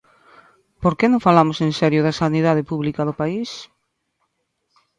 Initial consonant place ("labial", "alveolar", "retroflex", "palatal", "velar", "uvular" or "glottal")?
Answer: labial